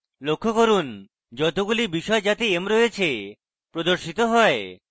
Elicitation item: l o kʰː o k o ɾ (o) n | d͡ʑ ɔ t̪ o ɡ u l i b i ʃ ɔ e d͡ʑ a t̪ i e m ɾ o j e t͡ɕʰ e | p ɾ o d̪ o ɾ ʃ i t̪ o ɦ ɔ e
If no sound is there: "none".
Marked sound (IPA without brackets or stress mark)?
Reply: u